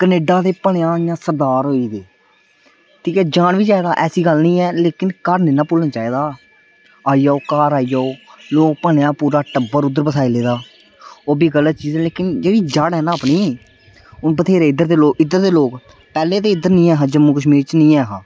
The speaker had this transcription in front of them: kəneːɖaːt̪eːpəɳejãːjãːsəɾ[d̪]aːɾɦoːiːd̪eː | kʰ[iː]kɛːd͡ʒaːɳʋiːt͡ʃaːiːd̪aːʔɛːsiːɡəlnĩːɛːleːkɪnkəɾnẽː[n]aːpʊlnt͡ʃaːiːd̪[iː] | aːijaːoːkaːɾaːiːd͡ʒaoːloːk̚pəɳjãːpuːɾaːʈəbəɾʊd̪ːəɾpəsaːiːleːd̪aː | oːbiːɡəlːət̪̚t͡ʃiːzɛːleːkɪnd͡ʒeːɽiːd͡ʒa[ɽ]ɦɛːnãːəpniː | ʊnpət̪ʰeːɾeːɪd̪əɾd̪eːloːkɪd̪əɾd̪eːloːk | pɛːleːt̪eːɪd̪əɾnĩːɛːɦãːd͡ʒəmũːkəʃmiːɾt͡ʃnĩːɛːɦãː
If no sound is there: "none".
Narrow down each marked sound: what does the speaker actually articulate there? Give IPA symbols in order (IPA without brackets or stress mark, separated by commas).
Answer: d̪, iː, n, aː, ɽ